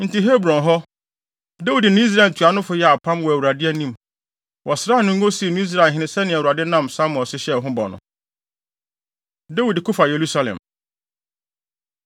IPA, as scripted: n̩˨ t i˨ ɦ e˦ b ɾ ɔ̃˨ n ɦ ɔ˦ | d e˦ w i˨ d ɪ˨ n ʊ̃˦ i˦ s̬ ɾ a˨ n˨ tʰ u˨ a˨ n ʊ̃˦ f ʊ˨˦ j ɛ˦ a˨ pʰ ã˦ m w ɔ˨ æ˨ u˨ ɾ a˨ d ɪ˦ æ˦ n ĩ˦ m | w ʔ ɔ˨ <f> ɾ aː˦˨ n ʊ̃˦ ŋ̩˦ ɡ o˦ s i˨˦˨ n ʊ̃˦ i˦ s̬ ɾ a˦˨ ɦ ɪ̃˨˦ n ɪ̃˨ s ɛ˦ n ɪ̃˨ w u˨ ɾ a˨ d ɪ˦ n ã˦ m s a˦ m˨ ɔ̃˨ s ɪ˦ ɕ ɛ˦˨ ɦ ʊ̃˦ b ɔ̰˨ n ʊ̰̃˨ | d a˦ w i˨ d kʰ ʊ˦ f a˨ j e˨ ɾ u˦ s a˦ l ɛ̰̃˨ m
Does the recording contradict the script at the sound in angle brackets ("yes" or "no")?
yes